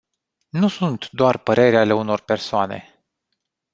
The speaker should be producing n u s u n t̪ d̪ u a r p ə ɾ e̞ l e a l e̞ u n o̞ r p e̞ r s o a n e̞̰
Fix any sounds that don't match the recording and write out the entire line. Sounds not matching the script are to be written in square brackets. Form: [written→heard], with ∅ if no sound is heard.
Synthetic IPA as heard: n u s u n t̪ d̪ [u→o] a r p ə ɾ e̞ [l→ɾ] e a l e̞ u n o̞ r p e̞ r s o a n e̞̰